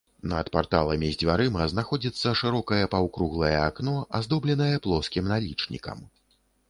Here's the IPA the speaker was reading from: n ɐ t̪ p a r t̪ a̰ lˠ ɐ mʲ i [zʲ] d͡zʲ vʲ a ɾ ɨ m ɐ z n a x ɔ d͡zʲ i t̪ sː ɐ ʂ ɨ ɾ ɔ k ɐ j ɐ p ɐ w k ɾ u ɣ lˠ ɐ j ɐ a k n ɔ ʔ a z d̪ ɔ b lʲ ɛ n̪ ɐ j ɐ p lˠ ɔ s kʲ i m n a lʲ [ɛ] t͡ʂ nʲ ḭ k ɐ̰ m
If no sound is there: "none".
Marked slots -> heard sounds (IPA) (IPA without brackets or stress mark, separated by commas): zʲ, i